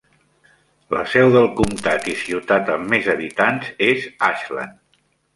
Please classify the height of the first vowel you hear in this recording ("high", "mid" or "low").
mid